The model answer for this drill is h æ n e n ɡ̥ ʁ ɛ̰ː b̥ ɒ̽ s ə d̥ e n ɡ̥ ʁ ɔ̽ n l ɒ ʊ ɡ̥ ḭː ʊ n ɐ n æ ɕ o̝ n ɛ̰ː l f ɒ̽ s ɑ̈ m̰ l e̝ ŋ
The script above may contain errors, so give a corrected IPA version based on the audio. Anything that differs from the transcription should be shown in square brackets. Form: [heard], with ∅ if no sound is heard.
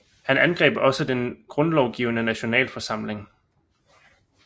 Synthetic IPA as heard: h æ n [æ] n ɡ̥ ʁ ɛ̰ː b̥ ɒ̽ s ə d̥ e n ɡ̥ ʁ ɔ̽ n l ɒ ʊ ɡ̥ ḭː ʊ n [ə] n æ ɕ o̝ n ɛ̰ː l f ɒ̽ s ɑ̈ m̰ l e̝ ŋ